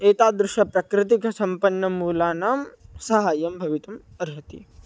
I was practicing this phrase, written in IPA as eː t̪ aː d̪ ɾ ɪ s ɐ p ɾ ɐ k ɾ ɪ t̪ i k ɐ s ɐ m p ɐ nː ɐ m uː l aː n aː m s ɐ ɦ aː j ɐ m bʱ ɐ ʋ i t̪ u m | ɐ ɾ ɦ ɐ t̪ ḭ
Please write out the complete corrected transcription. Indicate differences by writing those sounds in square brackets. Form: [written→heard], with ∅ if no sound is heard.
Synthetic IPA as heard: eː t̪ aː d̪ ɾ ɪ [s→ʃ] ɐ p ɾ ɐ k ɾ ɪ t̪ i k ɐ s ɐ m p ɐ nː ɐ m uː l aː n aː m s ɐ ɦ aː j ɐ m bʱ ɐ ʋ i t̪ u m | ɐ ɾ ɦ ɐ t̪ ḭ